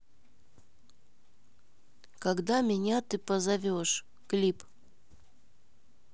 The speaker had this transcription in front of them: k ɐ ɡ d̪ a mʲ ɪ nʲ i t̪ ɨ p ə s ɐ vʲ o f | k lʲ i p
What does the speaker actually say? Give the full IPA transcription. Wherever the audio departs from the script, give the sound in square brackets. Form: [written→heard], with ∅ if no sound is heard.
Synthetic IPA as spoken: k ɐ ɡ d̪ a mʲ ɪ nʲ [i→a] t̪ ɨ p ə [s→z] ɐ vʲ o [f→ʂ] | k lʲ i p